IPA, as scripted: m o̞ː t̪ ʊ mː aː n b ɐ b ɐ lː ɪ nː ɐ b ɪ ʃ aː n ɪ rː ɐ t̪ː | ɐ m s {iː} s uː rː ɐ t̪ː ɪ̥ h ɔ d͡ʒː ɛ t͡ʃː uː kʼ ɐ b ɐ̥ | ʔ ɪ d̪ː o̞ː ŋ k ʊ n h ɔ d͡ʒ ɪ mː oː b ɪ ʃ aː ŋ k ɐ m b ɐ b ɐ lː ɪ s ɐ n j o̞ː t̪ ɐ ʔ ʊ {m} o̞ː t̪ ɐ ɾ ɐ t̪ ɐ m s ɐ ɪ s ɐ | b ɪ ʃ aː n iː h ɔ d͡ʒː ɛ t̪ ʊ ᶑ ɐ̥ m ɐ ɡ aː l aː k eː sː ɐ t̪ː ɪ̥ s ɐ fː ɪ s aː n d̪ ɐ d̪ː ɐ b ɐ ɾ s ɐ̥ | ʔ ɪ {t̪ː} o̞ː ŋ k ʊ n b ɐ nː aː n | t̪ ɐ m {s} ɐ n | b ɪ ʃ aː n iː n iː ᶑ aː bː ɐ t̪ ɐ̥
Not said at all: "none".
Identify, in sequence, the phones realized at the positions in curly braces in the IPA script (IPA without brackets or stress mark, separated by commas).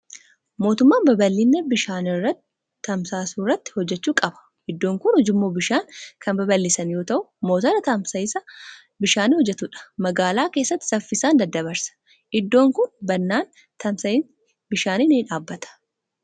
aː, m, d̪ː, s